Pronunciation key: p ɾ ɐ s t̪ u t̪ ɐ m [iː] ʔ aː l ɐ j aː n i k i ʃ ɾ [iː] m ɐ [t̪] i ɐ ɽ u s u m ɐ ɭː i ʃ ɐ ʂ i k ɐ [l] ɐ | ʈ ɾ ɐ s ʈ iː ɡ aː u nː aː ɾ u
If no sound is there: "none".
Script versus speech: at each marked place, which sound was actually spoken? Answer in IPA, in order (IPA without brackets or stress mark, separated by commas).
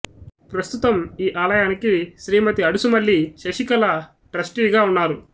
iː, iː, t̪, l